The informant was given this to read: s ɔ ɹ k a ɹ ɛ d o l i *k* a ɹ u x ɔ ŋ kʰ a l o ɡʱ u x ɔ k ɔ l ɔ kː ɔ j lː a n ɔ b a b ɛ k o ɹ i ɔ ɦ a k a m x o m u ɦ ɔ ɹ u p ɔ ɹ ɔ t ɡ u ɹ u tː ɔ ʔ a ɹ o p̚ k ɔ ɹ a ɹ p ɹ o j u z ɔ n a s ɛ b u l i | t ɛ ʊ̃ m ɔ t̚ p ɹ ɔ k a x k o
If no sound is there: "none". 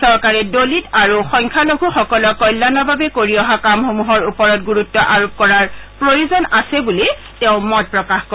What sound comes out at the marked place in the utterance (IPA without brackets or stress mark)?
t